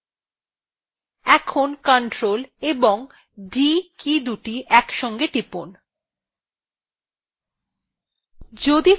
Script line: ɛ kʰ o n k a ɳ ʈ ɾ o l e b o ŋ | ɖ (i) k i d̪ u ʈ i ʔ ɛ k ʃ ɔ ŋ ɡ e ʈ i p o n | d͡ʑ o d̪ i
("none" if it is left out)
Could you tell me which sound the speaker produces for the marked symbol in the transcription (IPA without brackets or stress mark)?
i